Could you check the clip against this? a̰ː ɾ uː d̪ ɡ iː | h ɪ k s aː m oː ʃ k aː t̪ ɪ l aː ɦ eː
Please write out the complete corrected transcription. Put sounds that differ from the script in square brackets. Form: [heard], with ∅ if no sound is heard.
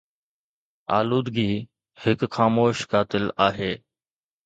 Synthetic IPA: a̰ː [l] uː d̪ ɡ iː | h ɪ k [x] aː m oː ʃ k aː t̪ ɪ l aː ɦ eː